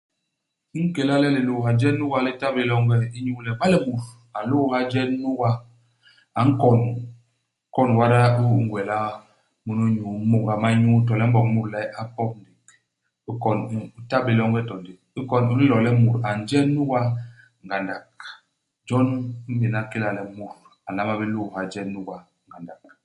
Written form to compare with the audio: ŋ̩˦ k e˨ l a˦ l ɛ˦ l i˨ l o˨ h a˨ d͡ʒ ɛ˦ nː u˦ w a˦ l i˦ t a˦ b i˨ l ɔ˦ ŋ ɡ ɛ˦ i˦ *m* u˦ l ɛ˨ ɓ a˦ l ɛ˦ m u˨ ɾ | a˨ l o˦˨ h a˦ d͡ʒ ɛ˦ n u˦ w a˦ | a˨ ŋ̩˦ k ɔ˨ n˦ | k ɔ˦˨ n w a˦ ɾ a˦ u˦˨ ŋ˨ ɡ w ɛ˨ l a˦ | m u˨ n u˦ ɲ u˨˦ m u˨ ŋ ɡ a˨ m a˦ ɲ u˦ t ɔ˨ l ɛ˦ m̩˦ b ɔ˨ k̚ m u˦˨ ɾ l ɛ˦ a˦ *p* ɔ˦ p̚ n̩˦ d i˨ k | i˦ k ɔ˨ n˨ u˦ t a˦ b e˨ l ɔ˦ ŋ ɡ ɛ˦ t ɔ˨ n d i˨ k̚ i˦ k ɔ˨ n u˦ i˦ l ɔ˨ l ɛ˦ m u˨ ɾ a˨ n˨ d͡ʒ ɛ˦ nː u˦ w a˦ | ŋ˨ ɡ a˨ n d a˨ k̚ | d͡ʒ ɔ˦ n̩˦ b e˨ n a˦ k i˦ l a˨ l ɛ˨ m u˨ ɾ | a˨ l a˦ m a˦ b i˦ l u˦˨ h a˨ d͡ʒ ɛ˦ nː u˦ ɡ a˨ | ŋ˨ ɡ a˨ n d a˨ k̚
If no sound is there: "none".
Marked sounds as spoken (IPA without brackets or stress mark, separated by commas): ɲ, p